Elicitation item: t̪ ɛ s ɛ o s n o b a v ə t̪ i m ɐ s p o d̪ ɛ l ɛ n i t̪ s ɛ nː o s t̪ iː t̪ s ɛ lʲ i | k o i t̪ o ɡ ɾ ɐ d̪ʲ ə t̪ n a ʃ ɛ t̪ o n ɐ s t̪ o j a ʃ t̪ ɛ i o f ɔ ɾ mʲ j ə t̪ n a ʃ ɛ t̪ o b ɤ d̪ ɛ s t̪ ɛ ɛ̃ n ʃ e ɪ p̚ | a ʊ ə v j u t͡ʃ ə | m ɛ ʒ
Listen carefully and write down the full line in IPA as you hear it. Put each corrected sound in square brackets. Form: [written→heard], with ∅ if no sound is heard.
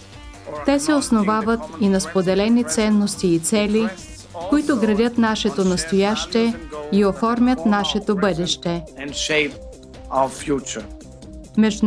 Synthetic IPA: t̪ ɛ s ɛ o s n o [b→v] a v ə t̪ i [m→n] ɐ s p o d̪ ɛ l ɛ n i t̪ s ɛ nː o s t̪ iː t̪ s ɛ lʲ i | k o i t̪ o ɡ ɾ ɐ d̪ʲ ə t̪ n a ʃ ɛ t̪ o n ɐ s t̪ o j a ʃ t̪ ɛ i o f ɔ ɾ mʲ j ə t̪ n a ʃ ɛ t̪ o b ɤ d̪ ɛ [s→ʃ] t̪ ɛ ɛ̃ n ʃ e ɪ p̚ | a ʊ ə [v→f] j u t͡ʃ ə | m ɛ ʒ